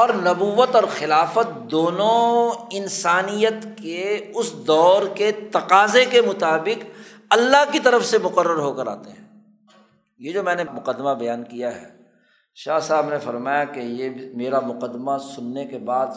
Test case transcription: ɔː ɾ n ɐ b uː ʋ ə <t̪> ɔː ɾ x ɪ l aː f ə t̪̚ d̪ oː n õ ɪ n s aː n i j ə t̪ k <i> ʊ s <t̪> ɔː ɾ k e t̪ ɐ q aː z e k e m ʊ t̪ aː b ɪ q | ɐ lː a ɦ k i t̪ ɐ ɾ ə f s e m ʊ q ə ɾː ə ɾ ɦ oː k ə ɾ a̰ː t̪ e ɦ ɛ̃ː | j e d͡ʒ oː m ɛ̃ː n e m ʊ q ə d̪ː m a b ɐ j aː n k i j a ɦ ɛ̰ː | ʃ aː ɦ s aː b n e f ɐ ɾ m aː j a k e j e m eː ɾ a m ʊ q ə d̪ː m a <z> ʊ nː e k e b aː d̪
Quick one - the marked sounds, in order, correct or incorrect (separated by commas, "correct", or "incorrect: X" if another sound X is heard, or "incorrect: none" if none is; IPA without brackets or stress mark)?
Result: correct, incorrect: e, incorrect: d̪, incorrect: s